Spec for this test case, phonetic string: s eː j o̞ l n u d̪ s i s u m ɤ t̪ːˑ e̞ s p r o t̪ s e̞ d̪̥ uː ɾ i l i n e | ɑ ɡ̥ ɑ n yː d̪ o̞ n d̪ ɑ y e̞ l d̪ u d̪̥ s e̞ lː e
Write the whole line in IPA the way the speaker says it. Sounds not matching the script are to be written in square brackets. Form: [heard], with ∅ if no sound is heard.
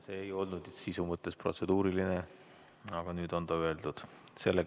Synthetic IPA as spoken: s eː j o̞ l n u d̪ s i s u m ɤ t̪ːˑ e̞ s p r o t̪ s e̞ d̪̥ uː ɾ i l i n e | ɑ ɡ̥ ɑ n yː d̪ o̞ n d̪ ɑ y e̞ l d̪ u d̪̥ s e̞ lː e